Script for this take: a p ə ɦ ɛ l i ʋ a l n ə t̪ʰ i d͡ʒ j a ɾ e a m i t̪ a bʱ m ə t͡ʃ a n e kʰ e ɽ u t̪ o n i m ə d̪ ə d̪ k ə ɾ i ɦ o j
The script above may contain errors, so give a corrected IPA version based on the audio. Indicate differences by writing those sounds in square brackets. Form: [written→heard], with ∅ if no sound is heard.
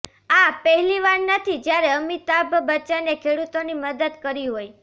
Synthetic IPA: a p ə ɦ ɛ l i ʋ a [l→ɾ] n ə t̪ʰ i d͡ʒ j a ɾ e [a→ə] m i t̪ a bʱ [m→b] ə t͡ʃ a n e kʰ e ɽ u t̪ o n i m ə d̪ ə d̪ k ə ɾ i ɦ o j